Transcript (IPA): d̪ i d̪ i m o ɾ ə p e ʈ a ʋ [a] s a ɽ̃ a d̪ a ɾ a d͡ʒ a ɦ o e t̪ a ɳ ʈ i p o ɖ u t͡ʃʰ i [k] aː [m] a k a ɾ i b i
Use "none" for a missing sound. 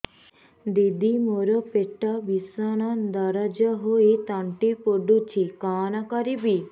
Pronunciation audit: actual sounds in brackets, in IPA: i, k, n

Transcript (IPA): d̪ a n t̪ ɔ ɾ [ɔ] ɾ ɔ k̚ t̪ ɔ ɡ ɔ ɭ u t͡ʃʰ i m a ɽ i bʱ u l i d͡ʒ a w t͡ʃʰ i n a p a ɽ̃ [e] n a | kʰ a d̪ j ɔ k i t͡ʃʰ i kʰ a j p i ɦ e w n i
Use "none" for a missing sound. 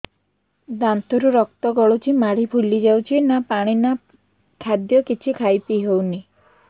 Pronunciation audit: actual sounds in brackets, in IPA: u, i

